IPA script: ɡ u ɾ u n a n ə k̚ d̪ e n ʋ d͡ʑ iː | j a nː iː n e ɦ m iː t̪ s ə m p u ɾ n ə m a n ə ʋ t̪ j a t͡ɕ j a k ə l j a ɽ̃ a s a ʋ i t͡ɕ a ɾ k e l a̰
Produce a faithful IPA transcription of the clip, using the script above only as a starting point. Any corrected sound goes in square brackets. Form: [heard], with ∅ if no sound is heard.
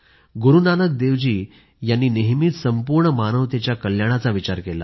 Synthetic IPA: ɡ u ɾ u n a n ə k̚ d̪ e [∅] ʋ d͡ʑ iː | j a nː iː n e ɦ m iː t̪ s ə m p u ɾ [ɳ] ə m a n ə ʋ t̪ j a t͡ɕ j a k ə l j a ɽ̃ a [t͡s] a ʋ i t͡ɕ a ɾ k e l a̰

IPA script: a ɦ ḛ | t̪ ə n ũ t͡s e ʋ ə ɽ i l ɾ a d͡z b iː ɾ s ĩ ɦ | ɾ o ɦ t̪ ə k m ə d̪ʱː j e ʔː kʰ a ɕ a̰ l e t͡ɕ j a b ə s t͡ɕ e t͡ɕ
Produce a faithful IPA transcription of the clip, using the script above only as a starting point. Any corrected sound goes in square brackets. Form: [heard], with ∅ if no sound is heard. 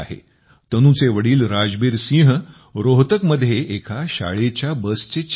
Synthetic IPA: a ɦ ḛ | t̪ ə n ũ t͡s e ʋ ə ɽ [iː] l ɾ a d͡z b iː ɾ s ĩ ɦ | ɾ o ɦ t̪ ə k m ə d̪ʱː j e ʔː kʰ a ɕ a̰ [ɭ] e t͡ɕ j a b ə s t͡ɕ e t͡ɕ

